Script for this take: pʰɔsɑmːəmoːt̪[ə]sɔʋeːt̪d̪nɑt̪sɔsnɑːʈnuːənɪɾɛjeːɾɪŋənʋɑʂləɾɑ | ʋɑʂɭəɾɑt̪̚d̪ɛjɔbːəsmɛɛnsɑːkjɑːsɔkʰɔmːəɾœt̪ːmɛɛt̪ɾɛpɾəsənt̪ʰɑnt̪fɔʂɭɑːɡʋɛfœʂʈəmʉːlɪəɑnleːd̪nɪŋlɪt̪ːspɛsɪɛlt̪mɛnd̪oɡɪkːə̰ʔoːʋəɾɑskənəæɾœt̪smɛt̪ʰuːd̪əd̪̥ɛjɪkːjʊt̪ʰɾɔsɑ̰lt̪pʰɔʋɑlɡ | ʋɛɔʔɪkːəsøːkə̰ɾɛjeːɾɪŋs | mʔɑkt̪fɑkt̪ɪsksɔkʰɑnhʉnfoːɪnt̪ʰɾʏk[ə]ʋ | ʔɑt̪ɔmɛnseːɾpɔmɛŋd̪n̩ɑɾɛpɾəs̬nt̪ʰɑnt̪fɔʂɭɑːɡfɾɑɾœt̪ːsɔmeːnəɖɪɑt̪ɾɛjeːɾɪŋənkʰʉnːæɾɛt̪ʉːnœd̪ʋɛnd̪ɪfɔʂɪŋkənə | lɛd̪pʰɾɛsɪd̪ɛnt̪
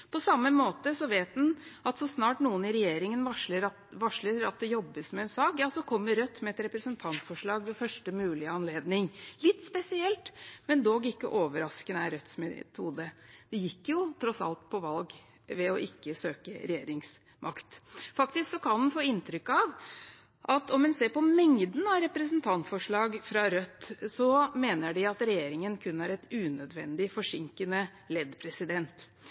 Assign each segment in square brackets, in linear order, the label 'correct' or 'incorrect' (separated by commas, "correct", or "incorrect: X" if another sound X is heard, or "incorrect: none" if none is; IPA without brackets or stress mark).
correct, incorrect: ɑ